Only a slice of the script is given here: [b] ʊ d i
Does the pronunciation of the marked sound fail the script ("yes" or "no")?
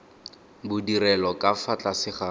no